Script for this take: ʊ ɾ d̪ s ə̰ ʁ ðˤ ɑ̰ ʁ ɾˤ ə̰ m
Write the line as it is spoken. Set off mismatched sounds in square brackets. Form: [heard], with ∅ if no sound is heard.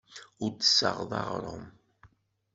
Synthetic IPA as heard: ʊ ɾ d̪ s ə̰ ʁ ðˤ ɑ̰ ʁ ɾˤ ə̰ m